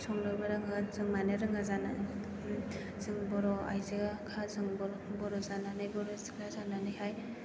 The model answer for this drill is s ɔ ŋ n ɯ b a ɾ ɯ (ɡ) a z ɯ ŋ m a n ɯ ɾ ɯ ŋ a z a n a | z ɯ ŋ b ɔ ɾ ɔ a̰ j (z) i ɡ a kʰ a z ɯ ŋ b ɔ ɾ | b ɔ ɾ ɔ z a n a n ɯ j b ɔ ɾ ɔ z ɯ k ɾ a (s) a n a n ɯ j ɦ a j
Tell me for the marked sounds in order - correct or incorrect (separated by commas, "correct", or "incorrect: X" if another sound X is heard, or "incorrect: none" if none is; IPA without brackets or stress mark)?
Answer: incorrect: ŋ, correct, incorrect: z